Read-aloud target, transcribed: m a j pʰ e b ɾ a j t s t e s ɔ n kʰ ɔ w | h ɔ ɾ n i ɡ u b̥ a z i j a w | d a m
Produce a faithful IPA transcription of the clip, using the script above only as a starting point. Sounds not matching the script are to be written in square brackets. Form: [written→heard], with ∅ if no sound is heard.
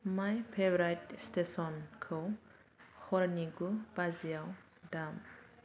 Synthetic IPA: m a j pʰ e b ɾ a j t s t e s ɔ n kʰ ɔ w | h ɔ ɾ n i ɡ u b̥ a z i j a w | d a m